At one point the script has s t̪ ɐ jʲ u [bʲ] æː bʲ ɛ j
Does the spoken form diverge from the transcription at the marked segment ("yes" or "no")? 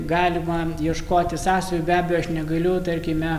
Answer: no